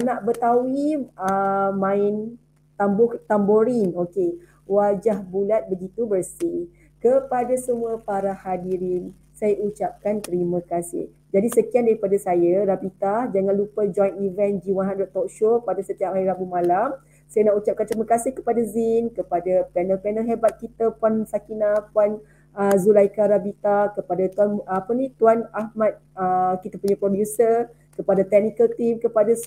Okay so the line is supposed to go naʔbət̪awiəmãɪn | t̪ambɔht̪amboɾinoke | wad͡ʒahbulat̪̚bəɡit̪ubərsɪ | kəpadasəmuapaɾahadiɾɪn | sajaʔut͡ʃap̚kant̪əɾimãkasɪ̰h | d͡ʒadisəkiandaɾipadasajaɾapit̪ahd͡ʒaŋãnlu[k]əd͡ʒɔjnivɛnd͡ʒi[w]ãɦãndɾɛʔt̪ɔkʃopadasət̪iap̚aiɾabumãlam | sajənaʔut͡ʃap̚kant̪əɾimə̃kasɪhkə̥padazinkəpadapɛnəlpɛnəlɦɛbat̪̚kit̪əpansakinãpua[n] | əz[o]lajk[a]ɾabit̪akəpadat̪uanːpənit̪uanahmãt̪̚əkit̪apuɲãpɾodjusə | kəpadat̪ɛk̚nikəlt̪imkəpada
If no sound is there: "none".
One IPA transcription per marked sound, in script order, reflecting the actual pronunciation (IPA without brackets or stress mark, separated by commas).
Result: p, w, n, u, a